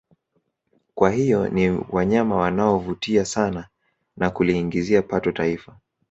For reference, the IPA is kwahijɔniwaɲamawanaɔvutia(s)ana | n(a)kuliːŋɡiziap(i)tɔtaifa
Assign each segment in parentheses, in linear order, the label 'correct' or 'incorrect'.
correct, correct, incorrect

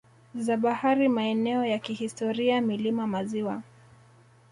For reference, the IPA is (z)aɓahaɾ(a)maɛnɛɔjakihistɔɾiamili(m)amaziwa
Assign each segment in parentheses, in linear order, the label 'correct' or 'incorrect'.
correct, incorrect, correct

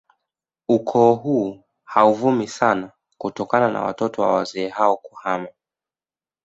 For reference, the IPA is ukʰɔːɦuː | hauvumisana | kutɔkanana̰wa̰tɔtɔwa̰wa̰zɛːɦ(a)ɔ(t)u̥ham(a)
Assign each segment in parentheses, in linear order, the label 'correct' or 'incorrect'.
correct, incorrect, correct

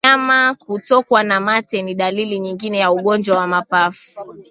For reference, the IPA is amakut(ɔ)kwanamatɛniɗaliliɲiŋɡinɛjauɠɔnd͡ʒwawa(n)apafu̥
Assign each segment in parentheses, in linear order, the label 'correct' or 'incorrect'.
correct, incorrect

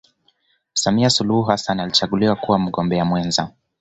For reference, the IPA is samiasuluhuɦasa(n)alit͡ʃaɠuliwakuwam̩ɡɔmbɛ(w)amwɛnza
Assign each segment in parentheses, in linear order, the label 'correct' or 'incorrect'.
correct, incorrect

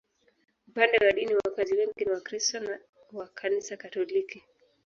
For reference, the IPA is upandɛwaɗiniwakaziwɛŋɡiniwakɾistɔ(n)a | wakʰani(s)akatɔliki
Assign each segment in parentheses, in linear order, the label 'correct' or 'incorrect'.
correct, correct

